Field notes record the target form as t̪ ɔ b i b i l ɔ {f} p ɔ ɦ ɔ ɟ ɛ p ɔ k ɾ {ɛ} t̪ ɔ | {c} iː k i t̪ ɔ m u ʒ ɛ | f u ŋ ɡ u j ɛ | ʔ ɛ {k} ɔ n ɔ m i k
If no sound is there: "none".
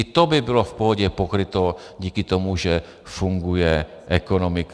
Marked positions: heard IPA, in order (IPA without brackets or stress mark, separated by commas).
f, i, ɟ, k